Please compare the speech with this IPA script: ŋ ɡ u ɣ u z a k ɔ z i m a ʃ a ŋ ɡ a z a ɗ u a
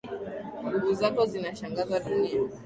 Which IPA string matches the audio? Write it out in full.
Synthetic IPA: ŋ ɡ u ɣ u z a k ɔ z i n a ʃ a ŋ ɡ a z a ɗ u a